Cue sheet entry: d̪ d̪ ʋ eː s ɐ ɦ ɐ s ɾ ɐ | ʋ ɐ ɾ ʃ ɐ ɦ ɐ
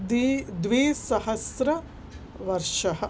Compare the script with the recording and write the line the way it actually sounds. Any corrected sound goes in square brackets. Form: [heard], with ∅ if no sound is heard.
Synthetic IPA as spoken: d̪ d̪ ʋ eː s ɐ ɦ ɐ s ɾ ɐ | ʋ ɐ ɾ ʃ ɐ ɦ ɐ